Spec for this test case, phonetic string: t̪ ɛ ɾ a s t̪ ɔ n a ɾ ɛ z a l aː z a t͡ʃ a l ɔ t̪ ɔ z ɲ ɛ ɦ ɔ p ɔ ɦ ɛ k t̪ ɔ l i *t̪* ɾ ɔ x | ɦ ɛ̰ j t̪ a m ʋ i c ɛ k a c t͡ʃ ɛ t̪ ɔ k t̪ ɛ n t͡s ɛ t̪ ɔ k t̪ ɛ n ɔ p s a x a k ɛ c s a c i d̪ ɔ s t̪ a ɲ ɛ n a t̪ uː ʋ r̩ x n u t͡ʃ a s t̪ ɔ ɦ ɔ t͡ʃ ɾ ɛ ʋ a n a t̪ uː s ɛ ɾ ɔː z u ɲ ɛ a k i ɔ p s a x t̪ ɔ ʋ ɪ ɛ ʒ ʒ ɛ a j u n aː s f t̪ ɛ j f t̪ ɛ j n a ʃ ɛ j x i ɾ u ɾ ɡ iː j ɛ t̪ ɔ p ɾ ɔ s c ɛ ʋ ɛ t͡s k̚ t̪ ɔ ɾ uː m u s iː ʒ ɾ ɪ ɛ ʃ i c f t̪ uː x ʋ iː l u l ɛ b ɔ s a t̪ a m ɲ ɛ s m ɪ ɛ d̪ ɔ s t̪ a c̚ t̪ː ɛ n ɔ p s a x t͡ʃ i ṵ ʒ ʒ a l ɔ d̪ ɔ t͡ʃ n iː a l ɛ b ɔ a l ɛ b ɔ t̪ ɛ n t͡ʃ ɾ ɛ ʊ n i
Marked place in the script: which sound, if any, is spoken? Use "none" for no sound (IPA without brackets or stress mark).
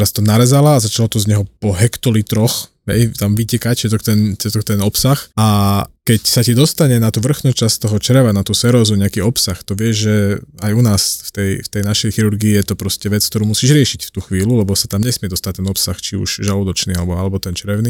t̪